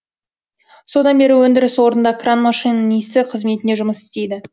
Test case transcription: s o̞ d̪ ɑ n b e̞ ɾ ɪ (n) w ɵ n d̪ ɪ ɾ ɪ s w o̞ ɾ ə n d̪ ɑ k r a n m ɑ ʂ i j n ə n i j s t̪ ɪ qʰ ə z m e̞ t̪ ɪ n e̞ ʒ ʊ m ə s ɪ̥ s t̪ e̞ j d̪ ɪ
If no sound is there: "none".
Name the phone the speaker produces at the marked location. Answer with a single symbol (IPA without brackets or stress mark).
none